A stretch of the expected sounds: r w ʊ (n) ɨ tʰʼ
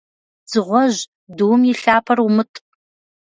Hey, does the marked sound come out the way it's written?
no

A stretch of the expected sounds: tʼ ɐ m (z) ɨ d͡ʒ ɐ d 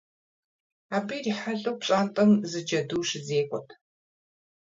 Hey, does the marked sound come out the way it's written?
yes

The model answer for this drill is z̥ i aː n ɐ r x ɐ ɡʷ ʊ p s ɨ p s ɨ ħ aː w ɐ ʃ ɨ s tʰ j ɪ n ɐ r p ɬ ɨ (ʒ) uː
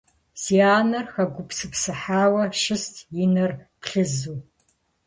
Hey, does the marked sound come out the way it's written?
no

